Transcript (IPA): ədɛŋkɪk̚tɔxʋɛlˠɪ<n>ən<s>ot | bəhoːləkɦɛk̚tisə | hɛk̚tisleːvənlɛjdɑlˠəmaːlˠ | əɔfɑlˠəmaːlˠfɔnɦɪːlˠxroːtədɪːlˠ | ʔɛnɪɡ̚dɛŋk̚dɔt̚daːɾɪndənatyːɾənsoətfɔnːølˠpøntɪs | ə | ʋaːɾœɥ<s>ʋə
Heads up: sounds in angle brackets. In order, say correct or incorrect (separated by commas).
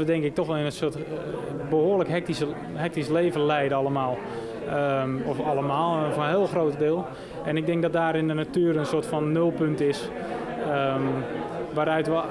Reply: correct, correct, incorrect